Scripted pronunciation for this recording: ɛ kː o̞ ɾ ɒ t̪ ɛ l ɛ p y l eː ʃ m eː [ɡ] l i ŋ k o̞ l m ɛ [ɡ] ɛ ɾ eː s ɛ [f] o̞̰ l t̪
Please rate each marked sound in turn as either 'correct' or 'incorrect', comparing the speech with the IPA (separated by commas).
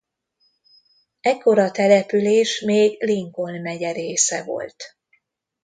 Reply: correct, incorrect, incorrect